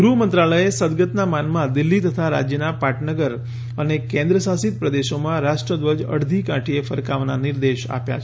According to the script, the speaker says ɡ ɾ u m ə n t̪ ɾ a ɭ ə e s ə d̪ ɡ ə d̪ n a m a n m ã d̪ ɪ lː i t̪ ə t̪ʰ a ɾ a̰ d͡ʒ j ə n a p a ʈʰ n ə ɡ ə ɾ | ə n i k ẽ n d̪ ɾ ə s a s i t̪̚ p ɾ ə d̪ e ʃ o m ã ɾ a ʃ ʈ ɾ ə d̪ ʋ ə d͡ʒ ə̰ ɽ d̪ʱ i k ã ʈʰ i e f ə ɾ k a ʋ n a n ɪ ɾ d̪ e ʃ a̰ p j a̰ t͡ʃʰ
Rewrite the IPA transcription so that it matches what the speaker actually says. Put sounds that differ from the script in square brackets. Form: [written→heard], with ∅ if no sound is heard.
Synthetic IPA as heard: ɡ ɾ u m ə n t̪ ɾ a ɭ ə e s ə d̪ ɡ ə [d̪→t̪] n a m a n m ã d̪ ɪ lː i t̪ ə t̪ʰ a ɾ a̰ d͡ʒ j ə n a p a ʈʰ n ə ɡ ə ɾ | ə n [i→e] k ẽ n d̪ ɾ ə s a s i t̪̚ p ɾ ə d̪ e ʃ o m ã ɾ a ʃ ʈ ɾ ə d̪ ʋ ə d͡ʒ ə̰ ɽ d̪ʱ i k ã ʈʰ i e f ə ɾ k a ʋ n a n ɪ ɾ d̪ e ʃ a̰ p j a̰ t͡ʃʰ